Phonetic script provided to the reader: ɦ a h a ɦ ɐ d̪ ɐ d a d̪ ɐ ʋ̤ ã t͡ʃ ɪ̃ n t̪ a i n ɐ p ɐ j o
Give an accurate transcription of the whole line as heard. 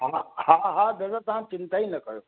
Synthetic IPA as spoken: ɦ a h a ɦ a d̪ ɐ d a t̪ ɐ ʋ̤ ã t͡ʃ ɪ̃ n t̪ a i n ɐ k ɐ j o

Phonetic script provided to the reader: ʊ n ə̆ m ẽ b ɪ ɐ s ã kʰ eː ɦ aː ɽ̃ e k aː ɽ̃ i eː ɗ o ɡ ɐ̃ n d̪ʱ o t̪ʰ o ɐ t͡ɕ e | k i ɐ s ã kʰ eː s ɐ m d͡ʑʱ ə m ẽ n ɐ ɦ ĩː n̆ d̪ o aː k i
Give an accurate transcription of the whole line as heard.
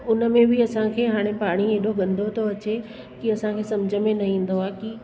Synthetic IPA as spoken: ʊ n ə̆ m ẽ b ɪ ɐ s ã kʰ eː ɦ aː ɽ̃ e p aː ɽ̃ i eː ɗ o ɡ ɐ̃ n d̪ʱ o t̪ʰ o ɐ t͡ɕ e | k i ɐ s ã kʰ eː s ɐ m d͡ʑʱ ə m ẽ n ɐ ɦ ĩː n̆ d̪ o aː k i

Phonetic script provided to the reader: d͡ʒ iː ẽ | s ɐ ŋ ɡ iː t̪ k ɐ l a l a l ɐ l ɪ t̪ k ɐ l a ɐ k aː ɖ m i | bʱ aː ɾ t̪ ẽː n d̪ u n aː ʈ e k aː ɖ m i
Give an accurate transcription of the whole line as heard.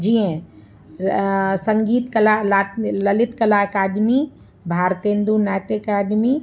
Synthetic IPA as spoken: d͡ʒ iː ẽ | s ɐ ŋ ɡ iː t̪ k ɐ l a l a l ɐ l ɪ t̪ k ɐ l a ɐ k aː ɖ m i | bʱ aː ɾ t̪ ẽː n d̪ u n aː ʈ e k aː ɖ m i

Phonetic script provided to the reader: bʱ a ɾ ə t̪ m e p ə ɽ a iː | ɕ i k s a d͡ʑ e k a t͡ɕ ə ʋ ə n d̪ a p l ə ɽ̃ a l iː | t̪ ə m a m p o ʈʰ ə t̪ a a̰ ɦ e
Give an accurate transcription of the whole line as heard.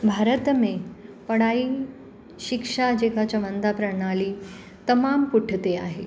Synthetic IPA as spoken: bʱ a ɾ ə t̪ m e p ə ɽ a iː | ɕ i k ʂ a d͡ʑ e k a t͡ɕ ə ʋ ə n d̪ a p ɾ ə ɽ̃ a l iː | t̪ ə m a m p u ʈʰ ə t̪ e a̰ ɦ e

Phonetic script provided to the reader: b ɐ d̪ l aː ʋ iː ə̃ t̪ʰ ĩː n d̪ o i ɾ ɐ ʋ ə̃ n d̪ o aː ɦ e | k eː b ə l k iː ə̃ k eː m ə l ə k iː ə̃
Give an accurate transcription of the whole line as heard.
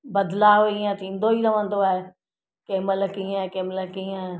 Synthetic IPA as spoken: b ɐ d̪ l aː ʋ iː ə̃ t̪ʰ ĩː n d̪ o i ɾ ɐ ʋ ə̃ n d̪ o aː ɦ e | k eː m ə l k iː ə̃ k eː m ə l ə k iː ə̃

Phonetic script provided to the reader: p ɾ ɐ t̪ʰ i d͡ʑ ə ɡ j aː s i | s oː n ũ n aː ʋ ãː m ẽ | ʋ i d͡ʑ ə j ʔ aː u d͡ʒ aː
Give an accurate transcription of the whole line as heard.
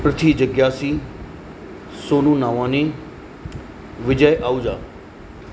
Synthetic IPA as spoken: p ɾ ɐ t̪ʰ i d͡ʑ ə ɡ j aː s i | s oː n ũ n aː ʋ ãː n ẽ | ʋ ɪ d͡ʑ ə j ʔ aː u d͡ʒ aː

